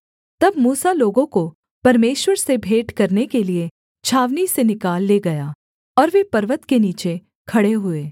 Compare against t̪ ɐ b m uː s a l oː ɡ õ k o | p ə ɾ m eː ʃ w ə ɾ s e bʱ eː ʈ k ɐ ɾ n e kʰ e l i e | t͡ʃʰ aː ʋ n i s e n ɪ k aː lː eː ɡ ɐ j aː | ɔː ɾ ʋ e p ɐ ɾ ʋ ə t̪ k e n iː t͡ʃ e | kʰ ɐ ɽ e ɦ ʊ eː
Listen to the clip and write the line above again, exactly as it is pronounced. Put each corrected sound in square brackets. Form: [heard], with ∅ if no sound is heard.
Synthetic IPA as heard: t̪ ɐ b m uː s a l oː ɡ õ k o | p [ɐ] ɾ m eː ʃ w ə ɾ s e bʱ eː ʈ k ɐ ɾ n e [k] e l i e | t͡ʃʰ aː ʋ n i s e n ɪ k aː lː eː ɡ ɐ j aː | ɔː ɾ ʋ e p ɐ ɾ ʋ ə t̪ k e n iː t͡ʃ e | kʰ ɐ ɽ e ɦ ʊ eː